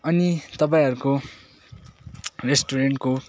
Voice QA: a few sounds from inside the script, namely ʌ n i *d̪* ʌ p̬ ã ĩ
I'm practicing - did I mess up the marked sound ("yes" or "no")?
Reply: yes